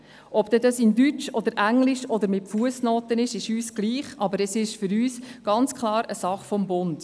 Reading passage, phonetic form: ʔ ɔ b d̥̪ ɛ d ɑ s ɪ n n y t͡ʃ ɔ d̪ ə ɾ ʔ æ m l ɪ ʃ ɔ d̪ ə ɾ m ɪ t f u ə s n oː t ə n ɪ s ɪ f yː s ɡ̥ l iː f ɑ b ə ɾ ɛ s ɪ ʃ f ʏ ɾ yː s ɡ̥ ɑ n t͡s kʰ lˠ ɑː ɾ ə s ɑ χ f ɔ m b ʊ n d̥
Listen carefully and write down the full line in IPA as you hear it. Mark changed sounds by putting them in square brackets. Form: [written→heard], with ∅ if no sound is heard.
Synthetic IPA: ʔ ɔ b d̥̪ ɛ d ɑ s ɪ n [n→d] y t͡ʃ ɔ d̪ ə ɾ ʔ æ [m→ŋ] l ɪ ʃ ɔ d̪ ə ɾ m ɪ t f u ə s n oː t ə n ɪ [s→ʃ] ɪ [f→ʃ] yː s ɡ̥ l iː [f→χ] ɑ b ə ɾ ɛ s ɪ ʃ f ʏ ɾ yː s ɡ̥ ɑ n t͡s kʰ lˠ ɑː ɾ ə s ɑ χ f ɔ m b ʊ n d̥

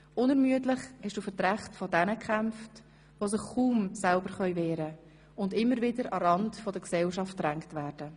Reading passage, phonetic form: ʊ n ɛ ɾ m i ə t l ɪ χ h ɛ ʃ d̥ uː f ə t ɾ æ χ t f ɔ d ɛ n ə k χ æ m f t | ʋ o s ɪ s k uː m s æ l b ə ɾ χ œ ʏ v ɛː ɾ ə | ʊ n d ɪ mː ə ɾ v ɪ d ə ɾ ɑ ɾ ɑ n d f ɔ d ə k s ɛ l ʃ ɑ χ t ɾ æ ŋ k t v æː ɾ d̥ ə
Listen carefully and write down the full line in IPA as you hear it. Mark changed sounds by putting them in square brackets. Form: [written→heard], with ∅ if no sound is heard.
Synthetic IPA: ʊ n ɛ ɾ m [i→y] ə t l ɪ χ h ɛ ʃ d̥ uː f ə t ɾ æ χ t f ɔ d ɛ n ə k χ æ m f t | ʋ o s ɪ [s→χ] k uː m s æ l b ə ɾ χ œ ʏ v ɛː ɾ ə | ʊ n d ɪ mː ə ɾ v ɪ d ə ɾ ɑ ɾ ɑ n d f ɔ d ə k s ɛ l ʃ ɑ [χ→f] t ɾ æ ŋ k t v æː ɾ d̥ ə

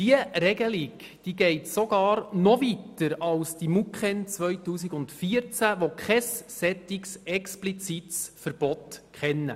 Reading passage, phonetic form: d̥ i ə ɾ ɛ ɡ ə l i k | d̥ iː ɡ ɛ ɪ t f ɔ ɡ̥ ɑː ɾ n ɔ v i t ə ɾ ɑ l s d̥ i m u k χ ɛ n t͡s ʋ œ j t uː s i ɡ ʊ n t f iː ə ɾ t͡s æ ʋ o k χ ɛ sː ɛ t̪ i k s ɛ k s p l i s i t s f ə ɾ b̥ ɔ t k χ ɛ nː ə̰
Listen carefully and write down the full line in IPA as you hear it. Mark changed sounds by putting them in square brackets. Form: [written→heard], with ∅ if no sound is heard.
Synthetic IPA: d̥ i ə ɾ ɛ ɡ ə l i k | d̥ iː ɡ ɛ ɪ t [f→s] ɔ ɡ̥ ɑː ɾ n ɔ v i t ə ɾ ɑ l s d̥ i m u k χ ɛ n t͡s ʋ œ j t uː s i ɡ ʊ n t f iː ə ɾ t͡s æ ʋ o k χ ɛ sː ɛ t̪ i k s ɛ k s p l i [s→t͡s] i t s f ə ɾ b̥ ɔ t k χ ɛ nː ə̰

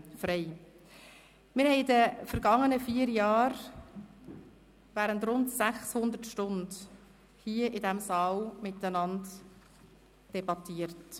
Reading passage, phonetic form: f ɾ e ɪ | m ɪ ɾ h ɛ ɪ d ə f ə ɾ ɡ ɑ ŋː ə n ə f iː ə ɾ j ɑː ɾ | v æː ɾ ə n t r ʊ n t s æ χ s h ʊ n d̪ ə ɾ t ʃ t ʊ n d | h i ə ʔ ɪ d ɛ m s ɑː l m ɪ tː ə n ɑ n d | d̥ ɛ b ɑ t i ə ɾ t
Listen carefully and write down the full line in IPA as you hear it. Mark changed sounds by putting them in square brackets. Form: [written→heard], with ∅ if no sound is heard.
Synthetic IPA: f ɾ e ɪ | m ɪ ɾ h ɛ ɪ d ə f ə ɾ ɡ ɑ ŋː ə n ə f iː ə ɾ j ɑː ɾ | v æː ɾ ə n t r ʊ n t s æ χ s h ʊ n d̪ ə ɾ t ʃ t ʊ n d | h i ə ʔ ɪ d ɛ m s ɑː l m ɪ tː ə n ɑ n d | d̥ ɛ b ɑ t i ə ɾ t

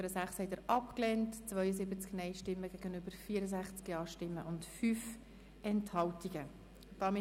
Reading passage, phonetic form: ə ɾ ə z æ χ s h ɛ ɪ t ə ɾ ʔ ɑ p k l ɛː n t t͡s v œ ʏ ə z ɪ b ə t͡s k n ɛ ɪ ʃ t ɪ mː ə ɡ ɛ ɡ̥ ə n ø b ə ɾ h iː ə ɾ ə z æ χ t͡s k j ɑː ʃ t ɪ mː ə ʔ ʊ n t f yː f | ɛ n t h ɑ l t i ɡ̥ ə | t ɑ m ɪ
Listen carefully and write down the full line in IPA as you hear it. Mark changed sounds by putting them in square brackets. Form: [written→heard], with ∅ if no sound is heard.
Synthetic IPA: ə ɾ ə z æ χ s h ɛ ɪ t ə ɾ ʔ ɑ p k l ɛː n t t͡s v œ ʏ ə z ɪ b ə t͡s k n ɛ ɪ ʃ t ɪ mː ə ɡ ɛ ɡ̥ ə n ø b ə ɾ [h→f] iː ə ɾ ə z æ χ t͡s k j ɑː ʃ t ɪ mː ə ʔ ʊ n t f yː f | ɛ n t h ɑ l t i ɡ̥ ə | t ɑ m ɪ

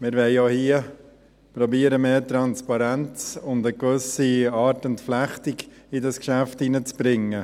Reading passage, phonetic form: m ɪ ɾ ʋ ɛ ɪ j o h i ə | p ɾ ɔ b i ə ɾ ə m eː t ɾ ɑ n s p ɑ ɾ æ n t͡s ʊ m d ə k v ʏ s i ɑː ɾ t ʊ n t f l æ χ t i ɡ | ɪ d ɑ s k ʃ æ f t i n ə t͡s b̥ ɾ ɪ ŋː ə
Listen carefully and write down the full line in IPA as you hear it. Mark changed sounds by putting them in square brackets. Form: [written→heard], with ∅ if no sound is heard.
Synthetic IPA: m ɪ ɾ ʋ ɛ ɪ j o h i ə | p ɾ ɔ b i ə ɾ ə m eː t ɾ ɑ n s p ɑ ɾ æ n t͡s ʊ [m→n] d ə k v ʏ s i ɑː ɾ t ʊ n t f l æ χ t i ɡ | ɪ d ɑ s k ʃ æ f t i n ə t͡s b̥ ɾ ɪ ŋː ə

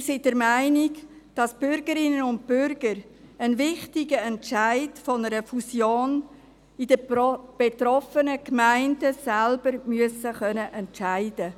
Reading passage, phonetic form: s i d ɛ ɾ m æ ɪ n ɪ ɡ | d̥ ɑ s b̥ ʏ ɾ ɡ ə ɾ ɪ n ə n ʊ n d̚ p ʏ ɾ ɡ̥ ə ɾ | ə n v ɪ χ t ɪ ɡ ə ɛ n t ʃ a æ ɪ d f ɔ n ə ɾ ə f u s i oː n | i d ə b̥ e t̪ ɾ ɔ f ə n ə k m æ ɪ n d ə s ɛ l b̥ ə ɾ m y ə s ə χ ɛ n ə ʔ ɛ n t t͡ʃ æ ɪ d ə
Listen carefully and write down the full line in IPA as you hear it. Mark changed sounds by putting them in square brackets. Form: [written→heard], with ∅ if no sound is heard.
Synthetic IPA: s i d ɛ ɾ m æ ɪ n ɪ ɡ | d̥ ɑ s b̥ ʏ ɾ ɡ ə ɾ ɪ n ə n ʊ n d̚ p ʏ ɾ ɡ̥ ə ɾ | ə n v ɪ χ t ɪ ɡ ə ɛ n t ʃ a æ ɪ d f ɔ n ə ɾ ə f u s [i→j] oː n | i d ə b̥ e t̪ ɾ ɔ f ə n ə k m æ ɪ n d ə s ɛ l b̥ ə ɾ m y ə s ə χ [ɛ→œ] n ə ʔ ɛ n t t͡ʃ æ ɪ d ə

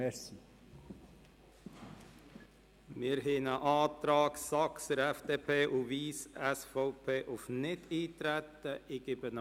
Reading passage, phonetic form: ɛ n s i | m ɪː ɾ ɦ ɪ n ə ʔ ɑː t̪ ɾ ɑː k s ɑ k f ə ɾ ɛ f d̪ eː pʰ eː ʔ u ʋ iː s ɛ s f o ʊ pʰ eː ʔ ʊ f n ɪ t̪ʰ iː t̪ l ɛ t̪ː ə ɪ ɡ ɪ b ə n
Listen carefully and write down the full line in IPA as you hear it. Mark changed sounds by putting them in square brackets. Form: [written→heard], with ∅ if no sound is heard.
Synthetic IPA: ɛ [n→∅] s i | m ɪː ɾ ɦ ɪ n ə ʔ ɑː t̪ ɾ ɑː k s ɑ k [f→s] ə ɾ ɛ f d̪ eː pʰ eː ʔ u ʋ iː s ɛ s f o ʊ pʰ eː ʔ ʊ f n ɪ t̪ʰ iː t̪ [l→ɾ] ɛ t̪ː ə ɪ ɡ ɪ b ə n

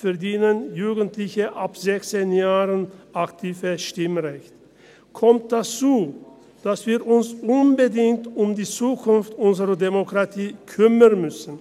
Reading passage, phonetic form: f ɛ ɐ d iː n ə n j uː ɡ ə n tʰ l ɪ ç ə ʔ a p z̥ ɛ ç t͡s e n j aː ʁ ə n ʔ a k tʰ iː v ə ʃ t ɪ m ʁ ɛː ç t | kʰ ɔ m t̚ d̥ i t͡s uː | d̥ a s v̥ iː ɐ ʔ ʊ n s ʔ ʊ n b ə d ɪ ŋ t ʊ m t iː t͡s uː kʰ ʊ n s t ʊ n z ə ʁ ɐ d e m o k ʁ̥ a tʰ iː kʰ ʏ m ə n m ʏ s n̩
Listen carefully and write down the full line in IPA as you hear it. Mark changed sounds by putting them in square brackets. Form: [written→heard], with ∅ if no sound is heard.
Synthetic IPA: f ɛ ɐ d iː n ə n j uː ɡ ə n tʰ l ɪ ç ə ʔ a p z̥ ɛ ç t͡s e n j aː ʁ ə n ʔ a k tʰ iː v ə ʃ t ɪ m ʁ [ɛː→ɛ] ç t | kʰ ɔ m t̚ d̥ [i→a] t͡s uː | d̥ a s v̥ iː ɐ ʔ ʊ n s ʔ ʊ n b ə d ɪ ŋ t ʊ m [t→d] iː t͡s uː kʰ ʊ n [s→f] t ʊ n z ə ʁ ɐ d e m o k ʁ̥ a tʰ iː kʰ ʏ m ə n m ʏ s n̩

